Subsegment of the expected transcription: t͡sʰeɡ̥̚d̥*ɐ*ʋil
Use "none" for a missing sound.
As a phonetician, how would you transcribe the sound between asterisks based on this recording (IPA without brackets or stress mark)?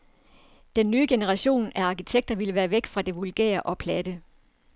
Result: ɐ